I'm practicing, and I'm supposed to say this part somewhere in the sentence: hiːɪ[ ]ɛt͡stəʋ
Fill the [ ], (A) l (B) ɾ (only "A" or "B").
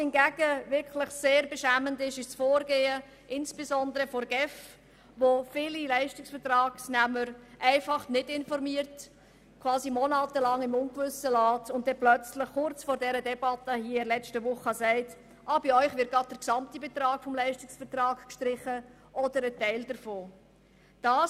A